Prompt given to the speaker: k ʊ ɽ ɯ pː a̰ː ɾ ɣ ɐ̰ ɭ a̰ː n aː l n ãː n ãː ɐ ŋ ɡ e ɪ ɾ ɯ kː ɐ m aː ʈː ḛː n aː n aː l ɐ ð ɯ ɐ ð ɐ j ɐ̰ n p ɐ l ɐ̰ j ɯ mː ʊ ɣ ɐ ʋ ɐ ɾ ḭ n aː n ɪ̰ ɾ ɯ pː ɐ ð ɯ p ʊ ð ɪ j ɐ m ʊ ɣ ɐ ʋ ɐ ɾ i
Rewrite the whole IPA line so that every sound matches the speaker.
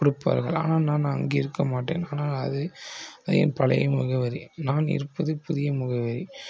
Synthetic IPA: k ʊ ɽ ɯ pː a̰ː ɾ ɣ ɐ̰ ɭ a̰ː n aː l n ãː n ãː ɐ ŋ ɡ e ɪ ɾ ɯ kː ɐ m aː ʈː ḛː n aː n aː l ɐ ð ɯ ɐ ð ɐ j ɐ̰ n p ɐ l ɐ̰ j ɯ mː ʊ ɣ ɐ ʋ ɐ ɾ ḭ n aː n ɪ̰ ɾ ɯ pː ɐ ð ɯ p ʊ ð ɪ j ɐ m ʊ ɣ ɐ ʋ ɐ ɾ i

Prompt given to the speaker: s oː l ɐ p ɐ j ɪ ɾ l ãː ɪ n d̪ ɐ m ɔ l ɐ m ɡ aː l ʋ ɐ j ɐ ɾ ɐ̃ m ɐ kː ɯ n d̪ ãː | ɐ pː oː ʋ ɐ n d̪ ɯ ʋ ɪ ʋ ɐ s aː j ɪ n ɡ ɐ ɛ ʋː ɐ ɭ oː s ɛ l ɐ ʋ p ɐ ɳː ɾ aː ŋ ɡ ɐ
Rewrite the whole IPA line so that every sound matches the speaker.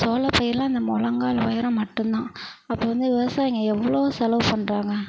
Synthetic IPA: s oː l ɐ p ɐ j ɪ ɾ l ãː ɪ n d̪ ɐ m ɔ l ɐ ŋ ɡ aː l ʋ ɐ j ɐ ɾ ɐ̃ m ɐ ʈː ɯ n d̪ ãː | ɐ pː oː ʋ ɐ n d̪ ɯ ʋ ɪ ʋ ɐ s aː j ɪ ŋ ɡ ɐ ɛ ʋː ɐ ɭ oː s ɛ l ɐ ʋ p ɐ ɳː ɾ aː ŋ ɡ ɐ

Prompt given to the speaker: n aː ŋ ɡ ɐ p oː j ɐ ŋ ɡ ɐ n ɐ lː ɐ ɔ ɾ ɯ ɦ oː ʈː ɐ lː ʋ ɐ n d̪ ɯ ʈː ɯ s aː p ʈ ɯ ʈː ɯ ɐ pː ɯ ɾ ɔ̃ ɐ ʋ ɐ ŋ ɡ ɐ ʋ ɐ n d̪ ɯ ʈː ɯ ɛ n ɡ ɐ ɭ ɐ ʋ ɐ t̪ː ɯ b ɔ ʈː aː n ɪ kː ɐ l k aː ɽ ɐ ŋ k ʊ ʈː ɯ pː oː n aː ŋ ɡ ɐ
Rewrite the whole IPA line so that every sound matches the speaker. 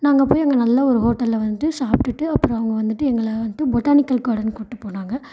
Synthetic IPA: n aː ŋ ɡ ɐ p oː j ɐ ŋ ɡ ɐ n ɐ lː ɐ ɔ ɾ ɯ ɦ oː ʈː ɐ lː ʋ ɐ n d̪ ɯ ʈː ɯ s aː p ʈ ɯ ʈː ɯ ɐ pː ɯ ɾ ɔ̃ ɐ ʋ ɐ ŋ ɡ ɐ ʋ ɐ n d̪ ɯ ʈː ɯ ɛ ŋ ɡ ɐ ɭ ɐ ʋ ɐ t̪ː ɯ b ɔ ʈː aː n ɪ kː ɐ l k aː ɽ ɐ n k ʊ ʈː ɯ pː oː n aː ŋ ɡ ɐ

